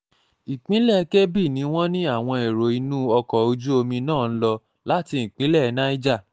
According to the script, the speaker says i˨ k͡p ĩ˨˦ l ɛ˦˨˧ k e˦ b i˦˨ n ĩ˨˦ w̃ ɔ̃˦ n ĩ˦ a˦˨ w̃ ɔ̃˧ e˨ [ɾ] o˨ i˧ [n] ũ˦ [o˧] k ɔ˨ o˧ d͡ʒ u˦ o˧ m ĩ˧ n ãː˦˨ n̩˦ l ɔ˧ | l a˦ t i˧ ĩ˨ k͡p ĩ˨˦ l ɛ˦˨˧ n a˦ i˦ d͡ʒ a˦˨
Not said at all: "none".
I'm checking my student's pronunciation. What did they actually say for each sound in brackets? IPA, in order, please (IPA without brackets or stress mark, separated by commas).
ɾ, n, ɔ˧